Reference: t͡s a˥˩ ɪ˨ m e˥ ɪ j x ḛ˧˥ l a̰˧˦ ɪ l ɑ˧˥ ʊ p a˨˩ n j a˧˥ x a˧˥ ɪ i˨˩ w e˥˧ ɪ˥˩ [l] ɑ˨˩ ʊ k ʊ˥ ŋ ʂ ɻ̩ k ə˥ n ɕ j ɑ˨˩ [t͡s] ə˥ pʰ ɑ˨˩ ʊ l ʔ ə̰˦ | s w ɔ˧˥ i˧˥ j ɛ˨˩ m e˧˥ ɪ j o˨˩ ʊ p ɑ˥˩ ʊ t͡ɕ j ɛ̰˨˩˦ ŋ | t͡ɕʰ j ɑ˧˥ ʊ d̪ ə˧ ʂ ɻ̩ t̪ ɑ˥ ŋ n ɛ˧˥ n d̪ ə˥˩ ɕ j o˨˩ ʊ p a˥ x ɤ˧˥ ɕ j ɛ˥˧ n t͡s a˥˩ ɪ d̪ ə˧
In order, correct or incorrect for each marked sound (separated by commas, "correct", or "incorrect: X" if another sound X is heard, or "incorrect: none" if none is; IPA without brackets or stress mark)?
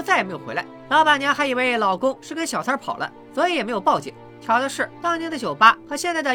correct, incorrect: t͡sʰ